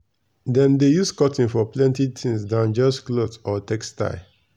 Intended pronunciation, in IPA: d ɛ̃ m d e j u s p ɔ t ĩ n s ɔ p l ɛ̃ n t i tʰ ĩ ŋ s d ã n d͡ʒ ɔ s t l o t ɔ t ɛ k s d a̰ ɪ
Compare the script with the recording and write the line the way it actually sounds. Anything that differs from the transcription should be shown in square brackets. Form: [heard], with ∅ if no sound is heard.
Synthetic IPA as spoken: d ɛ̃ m d e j u s [k] ɔ t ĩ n [f] ɔ p l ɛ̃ n t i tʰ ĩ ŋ s d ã n d͡ʒ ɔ s [k] l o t ɔ t ɛ k s [t] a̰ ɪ